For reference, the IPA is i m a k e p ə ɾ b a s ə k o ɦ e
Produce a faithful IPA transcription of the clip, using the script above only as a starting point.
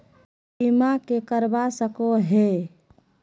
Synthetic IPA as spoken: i m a k e k ə ɾ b a s ə k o ɦ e